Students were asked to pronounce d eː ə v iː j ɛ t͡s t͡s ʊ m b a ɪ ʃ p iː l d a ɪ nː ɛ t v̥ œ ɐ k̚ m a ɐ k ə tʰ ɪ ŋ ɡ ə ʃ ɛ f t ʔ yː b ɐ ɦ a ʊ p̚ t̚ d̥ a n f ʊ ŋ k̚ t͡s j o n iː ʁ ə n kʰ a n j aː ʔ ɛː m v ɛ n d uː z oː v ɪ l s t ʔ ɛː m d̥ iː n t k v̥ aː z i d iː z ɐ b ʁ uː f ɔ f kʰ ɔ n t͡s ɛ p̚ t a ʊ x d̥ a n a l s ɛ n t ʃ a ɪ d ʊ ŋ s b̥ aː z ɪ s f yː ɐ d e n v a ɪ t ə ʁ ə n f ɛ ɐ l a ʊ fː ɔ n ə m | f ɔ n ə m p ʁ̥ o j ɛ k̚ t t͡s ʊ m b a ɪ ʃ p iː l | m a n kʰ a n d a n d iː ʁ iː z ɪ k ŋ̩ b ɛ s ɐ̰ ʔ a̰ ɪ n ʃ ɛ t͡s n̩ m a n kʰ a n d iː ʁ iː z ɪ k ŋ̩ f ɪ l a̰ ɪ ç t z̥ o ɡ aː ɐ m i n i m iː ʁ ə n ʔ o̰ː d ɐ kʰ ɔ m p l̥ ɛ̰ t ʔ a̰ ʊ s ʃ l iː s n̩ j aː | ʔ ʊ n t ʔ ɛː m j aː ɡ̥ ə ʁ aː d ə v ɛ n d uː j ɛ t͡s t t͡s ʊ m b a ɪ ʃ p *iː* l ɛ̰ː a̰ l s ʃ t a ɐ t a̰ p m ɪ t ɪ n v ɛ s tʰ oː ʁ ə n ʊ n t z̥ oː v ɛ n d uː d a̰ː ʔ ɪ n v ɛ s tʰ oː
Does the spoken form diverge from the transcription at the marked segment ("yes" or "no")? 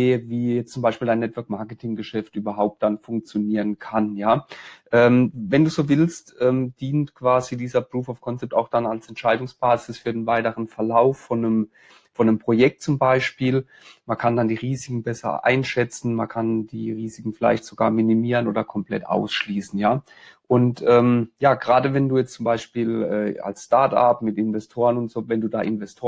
no